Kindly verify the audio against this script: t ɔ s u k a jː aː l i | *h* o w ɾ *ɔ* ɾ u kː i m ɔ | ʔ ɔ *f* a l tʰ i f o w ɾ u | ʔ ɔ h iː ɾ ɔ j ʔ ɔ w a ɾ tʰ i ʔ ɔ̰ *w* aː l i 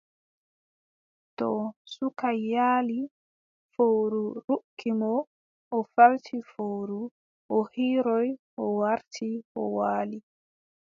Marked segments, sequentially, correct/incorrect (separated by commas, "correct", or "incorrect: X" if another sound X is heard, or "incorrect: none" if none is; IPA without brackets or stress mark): incorrect: f, incorrect: u, correct, correct